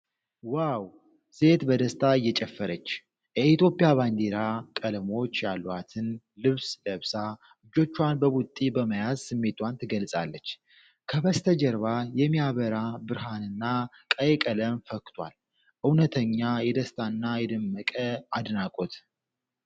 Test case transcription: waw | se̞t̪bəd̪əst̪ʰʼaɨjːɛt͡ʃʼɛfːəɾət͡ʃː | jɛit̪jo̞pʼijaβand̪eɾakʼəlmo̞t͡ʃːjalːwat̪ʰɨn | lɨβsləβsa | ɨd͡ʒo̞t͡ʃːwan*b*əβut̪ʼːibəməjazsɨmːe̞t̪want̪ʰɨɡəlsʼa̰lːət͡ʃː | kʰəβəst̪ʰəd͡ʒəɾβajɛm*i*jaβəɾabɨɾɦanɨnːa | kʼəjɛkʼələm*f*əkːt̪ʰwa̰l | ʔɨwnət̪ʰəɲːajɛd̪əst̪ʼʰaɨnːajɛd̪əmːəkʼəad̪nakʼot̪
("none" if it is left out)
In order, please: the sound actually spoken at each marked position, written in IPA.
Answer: b, i, f

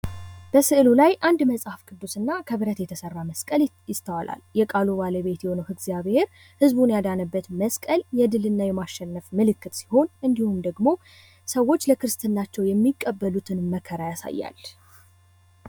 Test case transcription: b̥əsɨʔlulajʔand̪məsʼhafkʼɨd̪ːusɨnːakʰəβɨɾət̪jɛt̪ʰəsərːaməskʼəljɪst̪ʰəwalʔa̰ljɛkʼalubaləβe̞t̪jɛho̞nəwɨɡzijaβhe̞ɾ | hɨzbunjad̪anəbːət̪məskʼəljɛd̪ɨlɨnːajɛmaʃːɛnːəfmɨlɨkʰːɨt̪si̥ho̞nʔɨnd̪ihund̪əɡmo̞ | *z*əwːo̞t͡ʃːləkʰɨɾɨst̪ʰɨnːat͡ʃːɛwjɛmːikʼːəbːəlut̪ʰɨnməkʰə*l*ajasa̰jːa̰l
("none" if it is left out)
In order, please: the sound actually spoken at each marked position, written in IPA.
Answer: s, ɾ

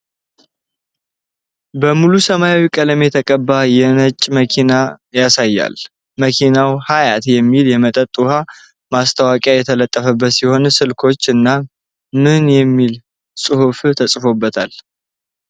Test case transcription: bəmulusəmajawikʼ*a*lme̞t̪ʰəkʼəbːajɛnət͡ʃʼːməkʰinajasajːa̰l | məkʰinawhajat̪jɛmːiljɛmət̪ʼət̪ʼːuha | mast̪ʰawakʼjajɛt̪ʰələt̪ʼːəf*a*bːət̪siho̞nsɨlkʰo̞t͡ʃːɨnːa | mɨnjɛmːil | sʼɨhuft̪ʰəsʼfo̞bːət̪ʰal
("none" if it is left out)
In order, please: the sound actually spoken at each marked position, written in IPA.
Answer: ə, ə

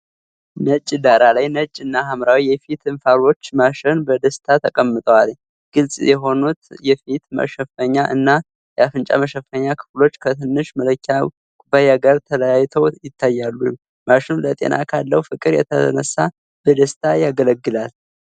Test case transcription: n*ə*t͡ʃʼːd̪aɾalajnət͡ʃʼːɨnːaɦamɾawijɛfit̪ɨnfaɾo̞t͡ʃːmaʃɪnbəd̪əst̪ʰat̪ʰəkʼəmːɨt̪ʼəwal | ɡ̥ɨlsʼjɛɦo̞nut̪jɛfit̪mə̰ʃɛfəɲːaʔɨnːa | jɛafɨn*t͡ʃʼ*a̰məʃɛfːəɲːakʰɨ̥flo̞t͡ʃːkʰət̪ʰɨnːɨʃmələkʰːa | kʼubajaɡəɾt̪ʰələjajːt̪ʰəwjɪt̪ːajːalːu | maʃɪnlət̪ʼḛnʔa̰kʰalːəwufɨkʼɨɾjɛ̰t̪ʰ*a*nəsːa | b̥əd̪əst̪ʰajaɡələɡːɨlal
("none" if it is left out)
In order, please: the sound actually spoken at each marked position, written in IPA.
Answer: ə, t͡ʃʼ, ə

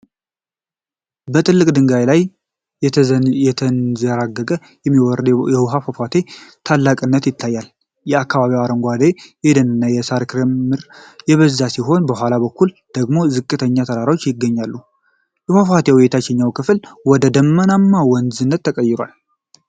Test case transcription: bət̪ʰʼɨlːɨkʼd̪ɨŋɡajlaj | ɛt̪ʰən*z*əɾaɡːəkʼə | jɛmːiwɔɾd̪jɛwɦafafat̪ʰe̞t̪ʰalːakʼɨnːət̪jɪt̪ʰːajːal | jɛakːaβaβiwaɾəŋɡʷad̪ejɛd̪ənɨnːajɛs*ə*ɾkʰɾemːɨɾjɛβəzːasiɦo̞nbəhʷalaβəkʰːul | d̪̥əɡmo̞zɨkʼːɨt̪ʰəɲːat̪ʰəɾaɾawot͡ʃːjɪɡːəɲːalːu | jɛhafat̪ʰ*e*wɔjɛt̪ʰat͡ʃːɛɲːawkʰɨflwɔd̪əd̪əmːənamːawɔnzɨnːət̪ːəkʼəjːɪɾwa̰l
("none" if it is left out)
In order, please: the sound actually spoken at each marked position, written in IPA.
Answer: z, a, e

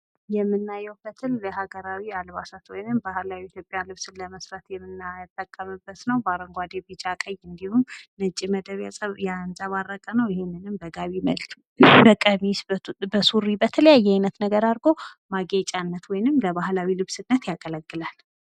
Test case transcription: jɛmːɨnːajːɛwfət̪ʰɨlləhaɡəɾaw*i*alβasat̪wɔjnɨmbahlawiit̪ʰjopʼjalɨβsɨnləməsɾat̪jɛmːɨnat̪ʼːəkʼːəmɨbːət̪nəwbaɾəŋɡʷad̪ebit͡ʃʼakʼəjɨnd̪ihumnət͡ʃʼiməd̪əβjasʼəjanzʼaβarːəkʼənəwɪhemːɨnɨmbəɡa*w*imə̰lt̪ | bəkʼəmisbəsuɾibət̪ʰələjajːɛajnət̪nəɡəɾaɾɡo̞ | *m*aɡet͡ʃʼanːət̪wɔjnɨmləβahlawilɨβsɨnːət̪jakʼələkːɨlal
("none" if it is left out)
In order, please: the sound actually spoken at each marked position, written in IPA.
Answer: i, β, m

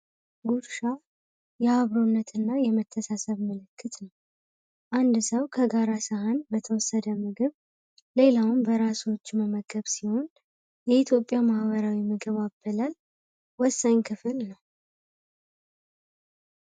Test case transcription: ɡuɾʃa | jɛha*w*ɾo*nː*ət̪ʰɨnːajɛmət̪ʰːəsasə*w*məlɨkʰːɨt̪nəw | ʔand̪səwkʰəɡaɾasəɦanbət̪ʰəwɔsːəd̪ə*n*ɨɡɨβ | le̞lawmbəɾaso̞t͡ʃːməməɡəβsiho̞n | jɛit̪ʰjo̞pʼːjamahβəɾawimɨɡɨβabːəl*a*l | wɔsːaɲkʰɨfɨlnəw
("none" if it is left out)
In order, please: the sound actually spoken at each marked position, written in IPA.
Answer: β, nː, β, m, a

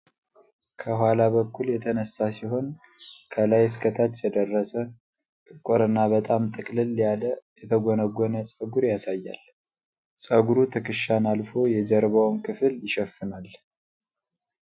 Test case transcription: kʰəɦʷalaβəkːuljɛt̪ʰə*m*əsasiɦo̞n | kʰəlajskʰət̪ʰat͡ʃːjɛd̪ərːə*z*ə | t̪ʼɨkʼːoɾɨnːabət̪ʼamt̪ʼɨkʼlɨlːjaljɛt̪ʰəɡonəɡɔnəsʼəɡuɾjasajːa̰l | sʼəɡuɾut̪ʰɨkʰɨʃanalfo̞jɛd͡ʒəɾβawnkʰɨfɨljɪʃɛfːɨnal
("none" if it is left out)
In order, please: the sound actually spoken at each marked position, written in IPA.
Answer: n, s

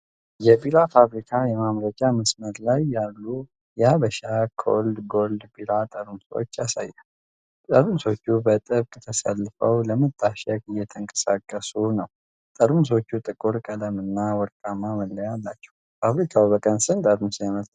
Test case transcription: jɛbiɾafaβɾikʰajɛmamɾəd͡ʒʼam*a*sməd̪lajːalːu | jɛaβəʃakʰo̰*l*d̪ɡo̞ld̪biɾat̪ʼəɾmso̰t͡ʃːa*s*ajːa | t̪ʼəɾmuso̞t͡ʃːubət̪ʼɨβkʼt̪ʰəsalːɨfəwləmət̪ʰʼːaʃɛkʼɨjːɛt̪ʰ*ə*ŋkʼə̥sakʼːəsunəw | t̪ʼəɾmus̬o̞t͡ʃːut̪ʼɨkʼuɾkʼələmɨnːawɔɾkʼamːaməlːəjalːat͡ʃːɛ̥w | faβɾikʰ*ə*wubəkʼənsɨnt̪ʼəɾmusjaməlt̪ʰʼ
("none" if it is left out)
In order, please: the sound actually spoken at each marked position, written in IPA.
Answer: ə, l, s, ə, a

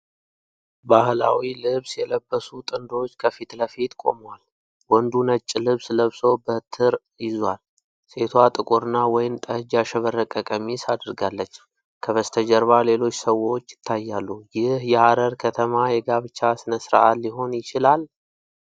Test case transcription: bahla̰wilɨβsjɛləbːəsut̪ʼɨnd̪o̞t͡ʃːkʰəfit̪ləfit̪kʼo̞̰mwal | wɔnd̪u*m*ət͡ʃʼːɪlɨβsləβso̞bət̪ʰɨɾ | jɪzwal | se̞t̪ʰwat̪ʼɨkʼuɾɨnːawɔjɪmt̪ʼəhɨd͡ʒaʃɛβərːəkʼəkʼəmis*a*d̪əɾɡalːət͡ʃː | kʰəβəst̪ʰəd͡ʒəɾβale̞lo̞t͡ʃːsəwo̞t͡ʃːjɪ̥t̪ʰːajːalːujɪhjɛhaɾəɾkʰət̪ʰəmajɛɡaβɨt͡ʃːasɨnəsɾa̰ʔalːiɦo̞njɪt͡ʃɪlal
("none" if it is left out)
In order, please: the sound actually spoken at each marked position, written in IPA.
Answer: n, a

